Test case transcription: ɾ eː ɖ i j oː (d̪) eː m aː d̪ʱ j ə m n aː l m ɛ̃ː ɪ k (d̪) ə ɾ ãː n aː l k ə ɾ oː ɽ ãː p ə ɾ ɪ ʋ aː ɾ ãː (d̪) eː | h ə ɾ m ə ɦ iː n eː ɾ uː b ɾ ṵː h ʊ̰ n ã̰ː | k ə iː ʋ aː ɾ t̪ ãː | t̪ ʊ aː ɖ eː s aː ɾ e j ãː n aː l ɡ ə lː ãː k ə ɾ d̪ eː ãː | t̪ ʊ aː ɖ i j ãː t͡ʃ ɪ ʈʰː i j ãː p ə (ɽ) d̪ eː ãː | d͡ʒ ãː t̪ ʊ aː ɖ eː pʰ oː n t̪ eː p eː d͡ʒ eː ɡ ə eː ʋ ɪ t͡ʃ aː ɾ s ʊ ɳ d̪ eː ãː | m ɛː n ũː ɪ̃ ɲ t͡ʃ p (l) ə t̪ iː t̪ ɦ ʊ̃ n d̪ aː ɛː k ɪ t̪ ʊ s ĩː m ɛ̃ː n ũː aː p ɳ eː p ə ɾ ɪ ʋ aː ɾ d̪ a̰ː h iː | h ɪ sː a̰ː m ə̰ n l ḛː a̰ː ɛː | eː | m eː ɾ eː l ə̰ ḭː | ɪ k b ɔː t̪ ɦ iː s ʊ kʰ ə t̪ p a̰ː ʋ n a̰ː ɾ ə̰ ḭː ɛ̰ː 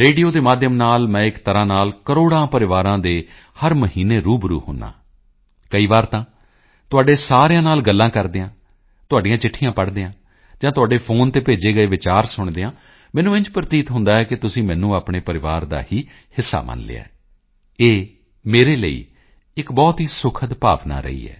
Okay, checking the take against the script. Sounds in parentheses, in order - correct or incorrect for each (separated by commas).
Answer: correct, incorrect, correct, correct, incorrect